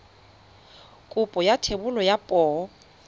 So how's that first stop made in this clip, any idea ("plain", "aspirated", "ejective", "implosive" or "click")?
ejective